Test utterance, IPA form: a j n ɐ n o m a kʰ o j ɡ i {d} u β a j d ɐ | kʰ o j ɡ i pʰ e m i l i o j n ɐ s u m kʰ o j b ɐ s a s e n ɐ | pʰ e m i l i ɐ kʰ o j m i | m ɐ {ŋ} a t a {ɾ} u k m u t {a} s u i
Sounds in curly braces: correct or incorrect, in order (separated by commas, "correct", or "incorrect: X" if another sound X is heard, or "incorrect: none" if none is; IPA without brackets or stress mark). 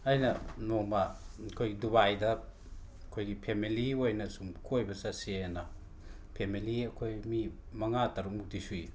correct, correct, correct, incorrect: i